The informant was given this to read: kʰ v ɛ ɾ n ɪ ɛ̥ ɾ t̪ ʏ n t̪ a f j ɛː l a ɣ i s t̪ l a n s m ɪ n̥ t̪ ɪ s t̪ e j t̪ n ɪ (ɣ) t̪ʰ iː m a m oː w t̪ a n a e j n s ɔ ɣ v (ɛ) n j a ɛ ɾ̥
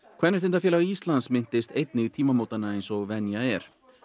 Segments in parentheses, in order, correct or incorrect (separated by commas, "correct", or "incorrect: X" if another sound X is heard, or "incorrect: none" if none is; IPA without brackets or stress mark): correct, correct